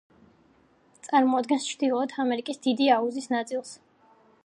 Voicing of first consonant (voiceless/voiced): voiceless